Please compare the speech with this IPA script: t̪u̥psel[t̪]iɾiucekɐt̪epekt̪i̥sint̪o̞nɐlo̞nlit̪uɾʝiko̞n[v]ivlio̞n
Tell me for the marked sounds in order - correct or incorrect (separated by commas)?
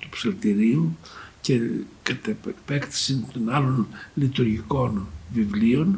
correct, correct